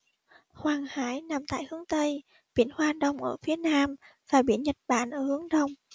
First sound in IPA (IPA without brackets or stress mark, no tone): h